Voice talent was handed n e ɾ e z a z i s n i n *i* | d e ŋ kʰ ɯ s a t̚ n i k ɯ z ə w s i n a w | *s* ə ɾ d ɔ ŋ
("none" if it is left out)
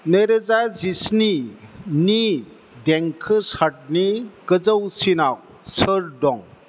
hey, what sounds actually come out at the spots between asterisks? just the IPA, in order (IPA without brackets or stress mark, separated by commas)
i, s